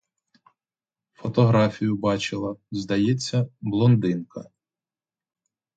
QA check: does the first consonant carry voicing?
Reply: no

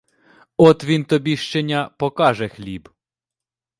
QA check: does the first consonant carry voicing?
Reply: no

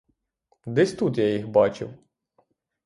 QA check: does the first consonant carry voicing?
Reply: yes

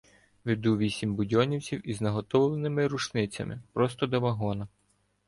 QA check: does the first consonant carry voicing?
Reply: yes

